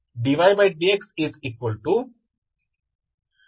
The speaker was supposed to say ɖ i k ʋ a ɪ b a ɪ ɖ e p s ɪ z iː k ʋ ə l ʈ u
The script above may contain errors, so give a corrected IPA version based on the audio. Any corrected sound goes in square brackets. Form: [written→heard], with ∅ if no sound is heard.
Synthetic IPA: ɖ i [k→∅] ʋ a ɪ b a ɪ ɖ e [p→k] s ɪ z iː k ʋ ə l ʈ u